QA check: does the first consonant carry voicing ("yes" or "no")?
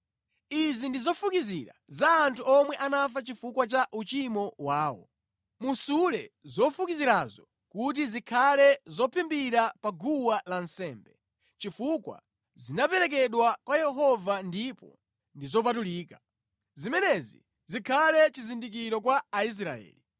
yes